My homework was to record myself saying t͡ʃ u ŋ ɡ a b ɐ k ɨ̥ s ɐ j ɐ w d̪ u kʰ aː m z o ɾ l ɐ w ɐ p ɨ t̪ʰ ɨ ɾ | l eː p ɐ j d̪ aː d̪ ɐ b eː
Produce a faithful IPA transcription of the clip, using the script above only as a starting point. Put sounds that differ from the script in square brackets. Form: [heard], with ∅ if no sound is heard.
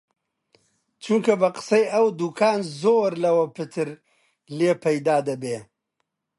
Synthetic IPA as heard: t͡ʃ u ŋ [k] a b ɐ [q] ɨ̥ s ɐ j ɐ w d̪ u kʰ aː [n] z o ɾ l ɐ w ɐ p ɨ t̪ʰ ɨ ɾ | l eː p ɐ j d̪ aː d̪ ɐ b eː